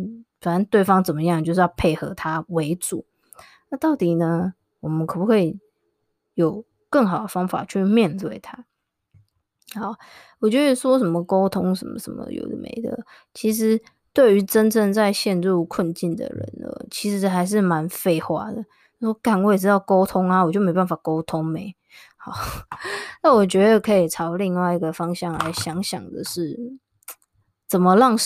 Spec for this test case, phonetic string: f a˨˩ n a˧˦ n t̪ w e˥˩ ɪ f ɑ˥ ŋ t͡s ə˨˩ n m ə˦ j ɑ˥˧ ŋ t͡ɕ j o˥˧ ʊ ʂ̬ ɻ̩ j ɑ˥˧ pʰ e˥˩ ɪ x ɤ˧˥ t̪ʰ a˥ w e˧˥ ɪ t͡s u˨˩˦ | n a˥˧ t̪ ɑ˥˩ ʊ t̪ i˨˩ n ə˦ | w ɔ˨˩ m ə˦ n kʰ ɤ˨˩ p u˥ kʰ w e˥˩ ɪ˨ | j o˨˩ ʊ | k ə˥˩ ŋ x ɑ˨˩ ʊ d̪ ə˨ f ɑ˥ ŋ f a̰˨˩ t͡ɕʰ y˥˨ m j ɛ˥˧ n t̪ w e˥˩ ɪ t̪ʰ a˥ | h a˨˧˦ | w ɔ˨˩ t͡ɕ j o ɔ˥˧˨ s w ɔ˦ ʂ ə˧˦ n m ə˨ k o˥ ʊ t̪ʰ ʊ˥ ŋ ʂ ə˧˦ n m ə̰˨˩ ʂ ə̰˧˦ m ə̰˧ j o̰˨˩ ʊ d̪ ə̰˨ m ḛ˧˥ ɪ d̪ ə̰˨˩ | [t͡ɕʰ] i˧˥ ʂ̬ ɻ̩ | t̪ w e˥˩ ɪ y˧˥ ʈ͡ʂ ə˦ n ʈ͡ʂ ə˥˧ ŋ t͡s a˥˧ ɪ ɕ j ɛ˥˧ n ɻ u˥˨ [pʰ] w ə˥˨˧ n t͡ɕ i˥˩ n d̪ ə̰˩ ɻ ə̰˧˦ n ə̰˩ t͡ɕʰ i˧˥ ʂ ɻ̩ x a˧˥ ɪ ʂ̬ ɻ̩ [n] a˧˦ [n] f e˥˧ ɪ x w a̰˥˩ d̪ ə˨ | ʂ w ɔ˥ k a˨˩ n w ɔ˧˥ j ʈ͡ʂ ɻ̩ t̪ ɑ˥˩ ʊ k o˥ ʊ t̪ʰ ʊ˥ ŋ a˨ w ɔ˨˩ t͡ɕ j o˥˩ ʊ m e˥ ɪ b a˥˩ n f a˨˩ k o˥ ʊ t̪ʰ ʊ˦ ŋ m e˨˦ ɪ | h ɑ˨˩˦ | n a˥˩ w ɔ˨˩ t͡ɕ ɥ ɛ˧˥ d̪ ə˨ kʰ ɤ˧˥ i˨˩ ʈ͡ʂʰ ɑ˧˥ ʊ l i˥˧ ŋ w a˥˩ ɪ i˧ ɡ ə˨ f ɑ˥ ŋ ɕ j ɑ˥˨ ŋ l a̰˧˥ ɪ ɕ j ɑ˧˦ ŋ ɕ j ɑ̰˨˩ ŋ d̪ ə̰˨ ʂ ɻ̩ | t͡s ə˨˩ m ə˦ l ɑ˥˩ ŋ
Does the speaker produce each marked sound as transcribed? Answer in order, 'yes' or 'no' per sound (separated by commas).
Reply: yes, no, no, yes